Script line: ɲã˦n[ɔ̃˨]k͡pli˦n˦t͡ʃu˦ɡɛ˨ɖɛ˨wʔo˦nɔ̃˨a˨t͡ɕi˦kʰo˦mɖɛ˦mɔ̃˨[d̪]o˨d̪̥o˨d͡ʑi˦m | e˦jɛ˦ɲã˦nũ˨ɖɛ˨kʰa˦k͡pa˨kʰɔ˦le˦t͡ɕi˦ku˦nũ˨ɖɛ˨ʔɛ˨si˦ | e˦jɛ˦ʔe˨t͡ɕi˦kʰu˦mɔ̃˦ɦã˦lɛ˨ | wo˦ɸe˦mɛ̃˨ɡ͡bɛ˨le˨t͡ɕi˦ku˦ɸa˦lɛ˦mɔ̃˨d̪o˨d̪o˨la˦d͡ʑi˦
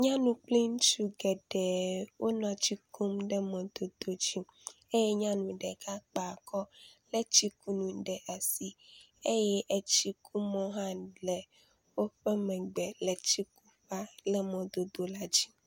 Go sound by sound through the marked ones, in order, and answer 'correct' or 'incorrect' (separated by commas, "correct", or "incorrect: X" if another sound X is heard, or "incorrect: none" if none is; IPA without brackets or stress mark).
incorrect: ũ˨, correct